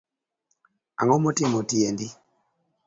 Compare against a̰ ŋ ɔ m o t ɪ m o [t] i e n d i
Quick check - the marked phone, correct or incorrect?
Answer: correct